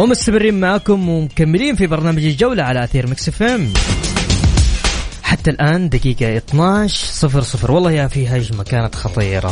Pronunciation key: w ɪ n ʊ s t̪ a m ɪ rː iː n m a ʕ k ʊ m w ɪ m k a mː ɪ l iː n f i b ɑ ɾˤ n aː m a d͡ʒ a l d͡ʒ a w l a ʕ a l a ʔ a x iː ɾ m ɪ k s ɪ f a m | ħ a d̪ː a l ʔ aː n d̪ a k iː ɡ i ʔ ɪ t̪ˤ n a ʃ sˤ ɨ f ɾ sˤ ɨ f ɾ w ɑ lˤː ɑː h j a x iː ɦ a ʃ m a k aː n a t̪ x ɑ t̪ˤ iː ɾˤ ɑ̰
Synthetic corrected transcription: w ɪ m ʊ s t̪ a m ɪ rː iː n m a ʕ k ʊ m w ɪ m k a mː ɪ l iː n f i b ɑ ɾˤ n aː m a d͡ʒ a l d͡ʒ a w l a ʕ a l a ʔ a θ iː ɾ m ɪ k s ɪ f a m | ħ a t̪ː a l ʔ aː n d̪ a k iː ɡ a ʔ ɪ t̪ˤ n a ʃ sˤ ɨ f ɾ sˤ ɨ f ɾ w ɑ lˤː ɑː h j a f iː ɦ a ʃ m a k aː n a t̪ x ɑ t̪ˤ iː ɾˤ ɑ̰